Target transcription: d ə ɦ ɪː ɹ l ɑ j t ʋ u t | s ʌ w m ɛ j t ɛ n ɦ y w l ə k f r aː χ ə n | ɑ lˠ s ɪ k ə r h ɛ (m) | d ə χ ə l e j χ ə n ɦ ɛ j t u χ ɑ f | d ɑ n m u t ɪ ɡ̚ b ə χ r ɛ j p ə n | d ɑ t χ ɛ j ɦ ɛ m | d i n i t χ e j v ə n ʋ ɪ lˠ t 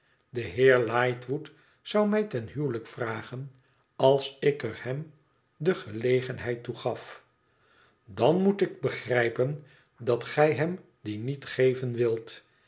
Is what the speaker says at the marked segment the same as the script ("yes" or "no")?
yes